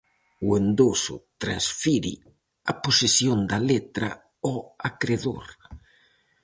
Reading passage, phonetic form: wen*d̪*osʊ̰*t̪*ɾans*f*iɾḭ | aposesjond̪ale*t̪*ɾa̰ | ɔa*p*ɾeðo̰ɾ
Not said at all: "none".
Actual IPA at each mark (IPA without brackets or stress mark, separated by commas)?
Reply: d̪, t̪, f, t̪, k